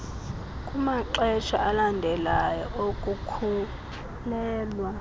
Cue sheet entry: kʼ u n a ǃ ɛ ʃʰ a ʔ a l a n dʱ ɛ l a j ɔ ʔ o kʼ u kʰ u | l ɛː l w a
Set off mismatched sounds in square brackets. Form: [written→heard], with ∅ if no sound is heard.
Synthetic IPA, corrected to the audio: kʼ u [n→m] a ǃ ɛ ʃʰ a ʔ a l a n dʱ ɛ l a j ɔ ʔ o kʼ u kʰ u | l ɛː l w a